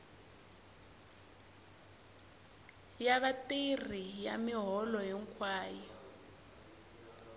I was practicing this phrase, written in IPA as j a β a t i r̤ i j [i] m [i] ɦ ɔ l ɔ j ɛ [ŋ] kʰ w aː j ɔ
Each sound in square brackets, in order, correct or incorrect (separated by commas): incorrect, correct, correct